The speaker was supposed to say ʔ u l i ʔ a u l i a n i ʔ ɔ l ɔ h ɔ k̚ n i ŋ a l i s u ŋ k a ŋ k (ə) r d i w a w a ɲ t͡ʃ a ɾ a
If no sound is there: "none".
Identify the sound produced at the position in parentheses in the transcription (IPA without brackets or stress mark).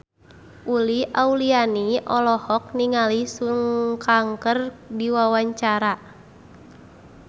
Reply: ə